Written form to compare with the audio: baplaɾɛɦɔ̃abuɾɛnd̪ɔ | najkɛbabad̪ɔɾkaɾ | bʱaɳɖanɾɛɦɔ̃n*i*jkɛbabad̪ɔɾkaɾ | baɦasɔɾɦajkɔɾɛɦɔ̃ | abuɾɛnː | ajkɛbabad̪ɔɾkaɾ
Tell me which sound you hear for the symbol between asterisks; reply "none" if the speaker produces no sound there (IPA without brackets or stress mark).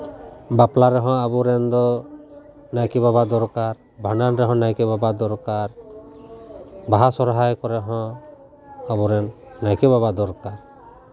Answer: a